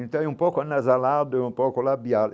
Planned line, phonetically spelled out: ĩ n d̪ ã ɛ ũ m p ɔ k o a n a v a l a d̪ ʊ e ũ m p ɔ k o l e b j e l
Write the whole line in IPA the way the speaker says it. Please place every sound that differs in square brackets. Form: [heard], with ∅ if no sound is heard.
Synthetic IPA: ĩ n [t̪] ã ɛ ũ m p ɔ k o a n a [z] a l a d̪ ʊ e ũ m p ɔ k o l [a] b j [a] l